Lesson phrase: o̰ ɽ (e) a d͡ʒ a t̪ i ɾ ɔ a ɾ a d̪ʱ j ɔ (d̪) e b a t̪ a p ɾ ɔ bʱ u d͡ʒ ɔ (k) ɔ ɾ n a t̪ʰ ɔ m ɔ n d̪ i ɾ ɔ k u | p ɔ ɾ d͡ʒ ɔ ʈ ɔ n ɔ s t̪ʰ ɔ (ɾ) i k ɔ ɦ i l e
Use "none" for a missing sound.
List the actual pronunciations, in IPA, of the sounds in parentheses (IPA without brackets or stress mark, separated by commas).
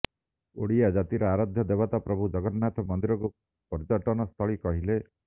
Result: i, d̪, ɡ, ɭ